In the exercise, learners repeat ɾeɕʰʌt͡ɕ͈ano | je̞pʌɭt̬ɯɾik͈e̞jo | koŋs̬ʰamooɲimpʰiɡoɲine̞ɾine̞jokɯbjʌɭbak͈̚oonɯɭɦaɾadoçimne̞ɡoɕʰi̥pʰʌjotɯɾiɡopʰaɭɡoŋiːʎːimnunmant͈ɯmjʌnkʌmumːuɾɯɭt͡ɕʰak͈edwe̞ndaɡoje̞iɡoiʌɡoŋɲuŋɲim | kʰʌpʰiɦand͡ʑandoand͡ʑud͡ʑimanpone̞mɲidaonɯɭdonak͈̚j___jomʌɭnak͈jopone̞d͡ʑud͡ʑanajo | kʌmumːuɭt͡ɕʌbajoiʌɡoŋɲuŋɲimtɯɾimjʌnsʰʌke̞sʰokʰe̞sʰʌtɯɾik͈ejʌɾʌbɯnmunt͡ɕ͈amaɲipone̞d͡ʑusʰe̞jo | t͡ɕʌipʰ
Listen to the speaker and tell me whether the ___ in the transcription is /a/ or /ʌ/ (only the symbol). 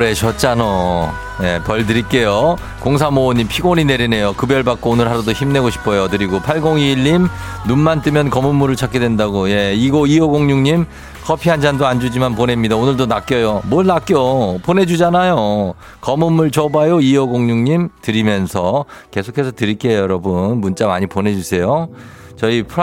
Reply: ʌ